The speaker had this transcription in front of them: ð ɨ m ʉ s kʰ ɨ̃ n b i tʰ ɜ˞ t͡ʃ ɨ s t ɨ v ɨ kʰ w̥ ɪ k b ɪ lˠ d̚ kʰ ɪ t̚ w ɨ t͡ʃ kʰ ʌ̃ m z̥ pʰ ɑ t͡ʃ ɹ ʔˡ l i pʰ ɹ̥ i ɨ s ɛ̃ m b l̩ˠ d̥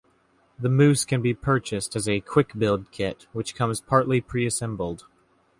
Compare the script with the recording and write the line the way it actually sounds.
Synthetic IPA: ð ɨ m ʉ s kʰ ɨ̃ n b i pʰ ɜ˞ t͡ʃ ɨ s t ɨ z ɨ kʰ w̥ ɪ k b ɪ lˠ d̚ kʰ ɪ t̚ w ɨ t͡ʃ kʰ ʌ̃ m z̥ pʰ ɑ ɹ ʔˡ l i pʰ ɹ̥ i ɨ s ɛ̃ m b l̩ˠ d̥